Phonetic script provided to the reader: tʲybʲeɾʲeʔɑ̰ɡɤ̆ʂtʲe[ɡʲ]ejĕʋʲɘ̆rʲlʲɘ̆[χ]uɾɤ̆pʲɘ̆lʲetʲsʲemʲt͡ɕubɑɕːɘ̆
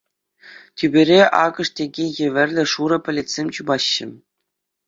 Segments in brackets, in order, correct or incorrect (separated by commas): correct, incorrect